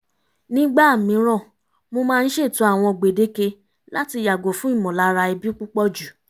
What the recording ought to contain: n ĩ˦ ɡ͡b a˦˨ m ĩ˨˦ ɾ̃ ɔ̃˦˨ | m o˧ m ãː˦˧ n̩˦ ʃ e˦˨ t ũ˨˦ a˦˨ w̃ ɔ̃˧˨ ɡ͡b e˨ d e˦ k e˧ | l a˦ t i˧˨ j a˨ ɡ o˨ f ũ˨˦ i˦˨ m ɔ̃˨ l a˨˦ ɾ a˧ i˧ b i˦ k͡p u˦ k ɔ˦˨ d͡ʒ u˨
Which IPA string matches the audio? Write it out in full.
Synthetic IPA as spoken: n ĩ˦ ɡ͡b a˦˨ m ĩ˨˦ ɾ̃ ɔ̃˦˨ | m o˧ m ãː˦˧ n̩˦ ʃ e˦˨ t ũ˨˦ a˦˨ w̃ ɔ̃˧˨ ɡ͡b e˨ d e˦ k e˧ | l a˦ t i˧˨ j a˨ ɡ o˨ f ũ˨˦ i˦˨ m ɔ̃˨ l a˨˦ ɾ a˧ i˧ b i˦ k͡p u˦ k͡p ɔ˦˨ d͡ʒ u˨